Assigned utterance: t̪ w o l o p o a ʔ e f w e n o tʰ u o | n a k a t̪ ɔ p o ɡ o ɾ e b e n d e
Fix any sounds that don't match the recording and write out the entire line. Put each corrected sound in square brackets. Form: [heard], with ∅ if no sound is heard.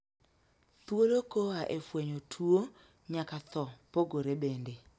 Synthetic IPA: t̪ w o l o [k] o a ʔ e f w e [ɲ] o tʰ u o | [ɲ] a k a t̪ ɔ p o ɡ o ɾ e b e n d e